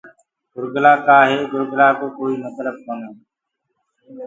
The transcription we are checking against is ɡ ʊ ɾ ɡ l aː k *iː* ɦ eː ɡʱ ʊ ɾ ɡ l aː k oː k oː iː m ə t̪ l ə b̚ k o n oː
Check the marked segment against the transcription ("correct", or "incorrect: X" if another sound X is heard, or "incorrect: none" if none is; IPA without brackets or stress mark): incorrect: aː